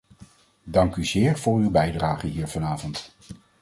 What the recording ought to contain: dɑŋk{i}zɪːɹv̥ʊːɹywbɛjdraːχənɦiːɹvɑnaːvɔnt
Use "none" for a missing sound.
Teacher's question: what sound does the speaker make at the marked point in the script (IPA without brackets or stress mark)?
y